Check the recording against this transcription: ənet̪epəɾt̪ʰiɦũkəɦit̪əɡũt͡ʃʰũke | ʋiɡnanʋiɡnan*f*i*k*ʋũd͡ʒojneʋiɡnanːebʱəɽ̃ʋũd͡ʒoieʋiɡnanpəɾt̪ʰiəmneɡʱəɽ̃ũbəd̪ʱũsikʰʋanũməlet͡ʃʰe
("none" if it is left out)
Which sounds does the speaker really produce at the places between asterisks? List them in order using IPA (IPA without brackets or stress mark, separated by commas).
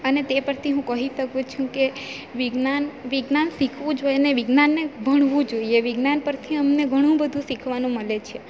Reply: s, kʰ